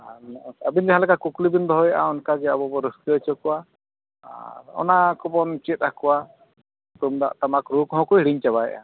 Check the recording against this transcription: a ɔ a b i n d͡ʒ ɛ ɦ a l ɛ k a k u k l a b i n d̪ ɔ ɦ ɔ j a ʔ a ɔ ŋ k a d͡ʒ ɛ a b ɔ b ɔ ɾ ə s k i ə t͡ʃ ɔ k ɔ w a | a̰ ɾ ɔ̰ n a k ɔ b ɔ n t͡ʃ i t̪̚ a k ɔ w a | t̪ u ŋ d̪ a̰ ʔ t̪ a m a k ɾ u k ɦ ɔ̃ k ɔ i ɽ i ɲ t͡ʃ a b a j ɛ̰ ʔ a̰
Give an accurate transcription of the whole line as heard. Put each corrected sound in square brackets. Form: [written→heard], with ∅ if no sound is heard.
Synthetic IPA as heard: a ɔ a b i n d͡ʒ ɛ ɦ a l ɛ k a k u k l [a→i] b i n d̪ ɔ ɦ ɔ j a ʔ a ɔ [ŋ→n] k a d͡ʒ ɛ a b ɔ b ɔ ɾ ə s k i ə t͡ʃ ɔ k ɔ w a | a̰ ɾ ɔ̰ n a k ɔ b ɔ n t͡ʃ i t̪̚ a k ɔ w a | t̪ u [ŋ→m] d̪ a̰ ʔ t̪ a m a k ɾ u k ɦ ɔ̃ k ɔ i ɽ i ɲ t͡ʃ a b a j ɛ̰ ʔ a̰